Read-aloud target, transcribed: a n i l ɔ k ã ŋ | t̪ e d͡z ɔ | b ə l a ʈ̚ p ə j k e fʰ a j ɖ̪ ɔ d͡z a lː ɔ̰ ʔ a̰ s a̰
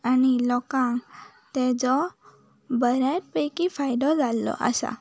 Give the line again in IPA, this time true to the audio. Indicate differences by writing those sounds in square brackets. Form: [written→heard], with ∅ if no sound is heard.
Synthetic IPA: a n i l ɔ k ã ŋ | t̪ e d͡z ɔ | b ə [l→ɾ] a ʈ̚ p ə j k [e→i] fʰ a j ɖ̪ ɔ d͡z a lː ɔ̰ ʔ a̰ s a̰